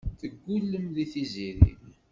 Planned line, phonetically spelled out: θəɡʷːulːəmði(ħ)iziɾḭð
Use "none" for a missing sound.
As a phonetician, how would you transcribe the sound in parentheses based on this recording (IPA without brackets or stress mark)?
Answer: θ